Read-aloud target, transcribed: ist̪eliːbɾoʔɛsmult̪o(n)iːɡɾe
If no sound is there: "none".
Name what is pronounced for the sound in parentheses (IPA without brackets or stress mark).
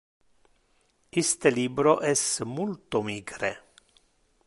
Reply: m